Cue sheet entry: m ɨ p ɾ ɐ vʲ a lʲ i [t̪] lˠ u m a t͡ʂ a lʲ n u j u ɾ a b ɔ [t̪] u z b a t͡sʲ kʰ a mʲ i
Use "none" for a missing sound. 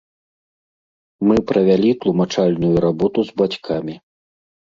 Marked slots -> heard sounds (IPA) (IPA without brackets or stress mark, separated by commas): t̪, t̪